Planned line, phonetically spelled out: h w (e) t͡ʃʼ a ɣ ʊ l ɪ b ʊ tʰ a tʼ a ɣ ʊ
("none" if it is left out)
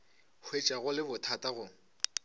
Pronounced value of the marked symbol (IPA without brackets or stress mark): e